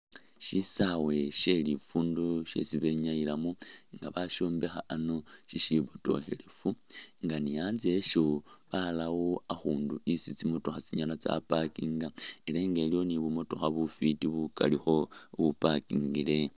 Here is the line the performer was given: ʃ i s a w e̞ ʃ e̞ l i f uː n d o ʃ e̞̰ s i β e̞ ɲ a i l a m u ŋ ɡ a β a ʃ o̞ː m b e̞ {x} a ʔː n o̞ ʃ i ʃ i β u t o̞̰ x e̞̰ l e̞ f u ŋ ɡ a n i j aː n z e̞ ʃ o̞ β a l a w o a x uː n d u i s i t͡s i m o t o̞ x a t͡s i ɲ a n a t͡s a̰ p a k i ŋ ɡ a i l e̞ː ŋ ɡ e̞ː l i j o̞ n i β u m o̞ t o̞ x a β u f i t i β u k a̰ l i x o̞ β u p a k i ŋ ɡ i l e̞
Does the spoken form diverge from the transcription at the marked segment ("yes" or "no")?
no